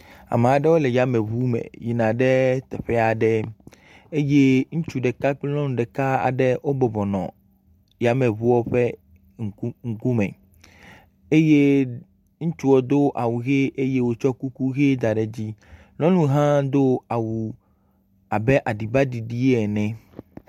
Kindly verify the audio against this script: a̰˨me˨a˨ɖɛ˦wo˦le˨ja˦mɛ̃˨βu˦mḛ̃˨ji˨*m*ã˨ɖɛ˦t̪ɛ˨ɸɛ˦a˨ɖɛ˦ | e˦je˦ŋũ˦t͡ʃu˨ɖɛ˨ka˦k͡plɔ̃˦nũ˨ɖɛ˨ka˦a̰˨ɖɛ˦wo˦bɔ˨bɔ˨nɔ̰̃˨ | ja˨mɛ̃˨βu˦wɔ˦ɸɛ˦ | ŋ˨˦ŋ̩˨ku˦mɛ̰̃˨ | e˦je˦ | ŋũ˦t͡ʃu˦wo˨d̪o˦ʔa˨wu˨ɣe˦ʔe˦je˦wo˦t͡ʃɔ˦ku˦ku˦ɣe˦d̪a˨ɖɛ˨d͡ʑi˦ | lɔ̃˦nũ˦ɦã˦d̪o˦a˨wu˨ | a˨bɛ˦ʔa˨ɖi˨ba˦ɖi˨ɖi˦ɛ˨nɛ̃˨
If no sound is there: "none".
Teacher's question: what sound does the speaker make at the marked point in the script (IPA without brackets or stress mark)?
n